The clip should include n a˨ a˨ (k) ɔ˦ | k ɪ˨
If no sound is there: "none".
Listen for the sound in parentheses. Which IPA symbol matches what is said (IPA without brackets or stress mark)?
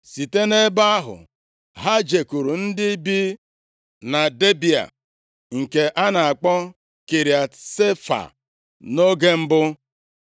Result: k͡p